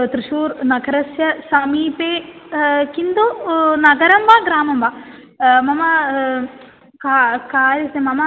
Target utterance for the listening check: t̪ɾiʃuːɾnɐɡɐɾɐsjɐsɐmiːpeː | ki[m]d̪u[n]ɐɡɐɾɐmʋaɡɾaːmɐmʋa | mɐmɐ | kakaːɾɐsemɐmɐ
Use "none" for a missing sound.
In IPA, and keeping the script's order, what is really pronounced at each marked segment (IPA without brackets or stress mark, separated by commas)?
n, n